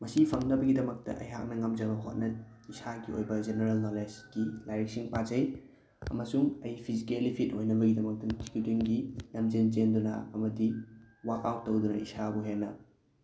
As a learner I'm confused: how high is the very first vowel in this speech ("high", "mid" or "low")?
low